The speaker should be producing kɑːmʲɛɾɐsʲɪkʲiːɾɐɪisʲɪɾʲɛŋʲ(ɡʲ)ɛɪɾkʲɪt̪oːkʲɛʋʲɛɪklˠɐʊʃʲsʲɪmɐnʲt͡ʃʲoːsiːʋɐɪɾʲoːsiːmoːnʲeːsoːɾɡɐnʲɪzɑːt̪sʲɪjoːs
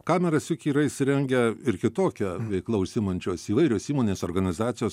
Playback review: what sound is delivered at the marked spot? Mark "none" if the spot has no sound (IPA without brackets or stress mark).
ɡʲ